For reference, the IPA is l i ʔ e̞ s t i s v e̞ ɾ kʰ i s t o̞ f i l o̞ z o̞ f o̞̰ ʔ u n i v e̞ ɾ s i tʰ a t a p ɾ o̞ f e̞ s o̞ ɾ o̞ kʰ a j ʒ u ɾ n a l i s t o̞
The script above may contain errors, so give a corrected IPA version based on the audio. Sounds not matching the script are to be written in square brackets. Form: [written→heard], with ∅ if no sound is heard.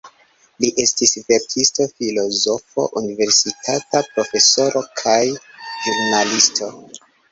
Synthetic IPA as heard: l i ʔ e̞ s t i s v e̞ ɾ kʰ i s t o̞ f i l o̞ z o̞ f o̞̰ ʔ u n i v e̞ ɾ s i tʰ a t a p ɾ o̞ f e̞ s o̞ ɾ o̞ kʰ a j ʒ u ɾ n a l i s t o̞